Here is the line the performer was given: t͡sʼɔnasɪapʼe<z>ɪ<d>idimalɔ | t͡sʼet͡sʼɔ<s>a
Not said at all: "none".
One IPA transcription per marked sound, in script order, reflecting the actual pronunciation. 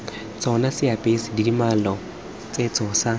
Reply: s, d, s

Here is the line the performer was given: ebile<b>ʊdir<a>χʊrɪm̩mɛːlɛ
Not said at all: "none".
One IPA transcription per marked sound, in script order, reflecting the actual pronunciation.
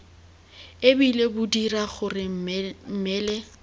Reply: b, a

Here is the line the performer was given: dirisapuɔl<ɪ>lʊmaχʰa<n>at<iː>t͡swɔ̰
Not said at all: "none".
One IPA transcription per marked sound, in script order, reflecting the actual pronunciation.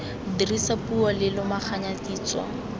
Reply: ɪ, ɲ, iː

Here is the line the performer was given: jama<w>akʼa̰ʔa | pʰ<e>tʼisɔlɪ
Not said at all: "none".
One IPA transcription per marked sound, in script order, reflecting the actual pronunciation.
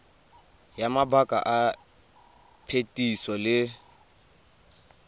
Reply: b, e

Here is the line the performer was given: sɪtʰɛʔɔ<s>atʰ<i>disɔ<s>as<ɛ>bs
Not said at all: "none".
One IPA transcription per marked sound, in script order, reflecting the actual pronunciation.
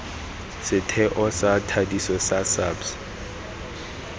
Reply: s, a, s, a

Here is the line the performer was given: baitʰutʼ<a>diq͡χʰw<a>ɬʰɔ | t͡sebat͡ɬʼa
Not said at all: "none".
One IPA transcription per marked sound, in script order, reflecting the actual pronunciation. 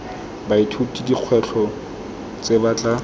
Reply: i, ɛ

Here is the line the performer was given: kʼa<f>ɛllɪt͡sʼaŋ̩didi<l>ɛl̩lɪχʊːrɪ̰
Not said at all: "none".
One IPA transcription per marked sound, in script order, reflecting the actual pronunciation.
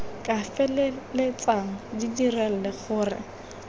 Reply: f, r

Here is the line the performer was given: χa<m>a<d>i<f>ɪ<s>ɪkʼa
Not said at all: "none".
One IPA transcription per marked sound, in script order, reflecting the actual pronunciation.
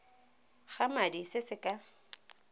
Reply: m, d, s, s

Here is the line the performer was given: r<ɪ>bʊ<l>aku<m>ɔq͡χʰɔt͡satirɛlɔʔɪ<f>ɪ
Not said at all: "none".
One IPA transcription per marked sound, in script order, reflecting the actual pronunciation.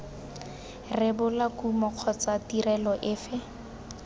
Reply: ɪ, l, m, f

